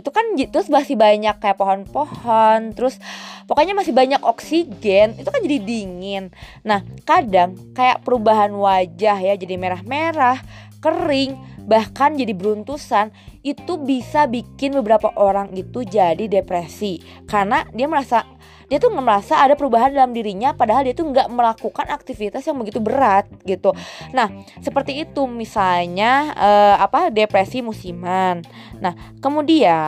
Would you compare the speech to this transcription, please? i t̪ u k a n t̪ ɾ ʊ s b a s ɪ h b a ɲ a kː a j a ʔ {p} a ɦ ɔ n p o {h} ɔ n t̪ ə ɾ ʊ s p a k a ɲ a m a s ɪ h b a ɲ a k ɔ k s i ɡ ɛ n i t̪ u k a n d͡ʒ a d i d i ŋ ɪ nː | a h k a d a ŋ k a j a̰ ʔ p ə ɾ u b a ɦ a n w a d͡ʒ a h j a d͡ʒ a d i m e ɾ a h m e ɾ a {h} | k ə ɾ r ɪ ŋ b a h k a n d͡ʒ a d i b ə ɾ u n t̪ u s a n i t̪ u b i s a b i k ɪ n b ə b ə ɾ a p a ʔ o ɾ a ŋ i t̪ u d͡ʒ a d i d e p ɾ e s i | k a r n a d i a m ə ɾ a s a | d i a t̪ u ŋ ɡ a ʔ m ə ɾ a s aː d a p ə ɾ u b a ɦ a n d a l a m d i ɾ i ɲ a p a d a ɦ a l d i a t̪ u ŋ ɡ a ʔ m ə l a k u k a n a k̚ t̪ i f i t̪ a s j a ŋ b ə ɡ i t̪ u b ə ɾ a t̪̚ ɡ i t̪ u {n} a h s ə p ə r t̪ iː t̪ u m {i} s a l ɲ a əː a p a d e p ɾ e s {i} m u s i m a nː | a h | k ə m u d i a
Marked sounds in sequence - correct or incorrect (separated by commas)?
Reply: correct, correct, correct, correct, correct, correct